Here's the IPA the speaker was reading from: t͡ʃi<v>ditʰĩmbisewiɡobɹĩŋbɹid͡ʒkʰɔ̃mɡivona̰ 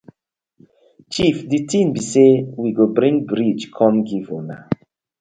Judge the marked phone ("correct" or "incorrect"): incorrect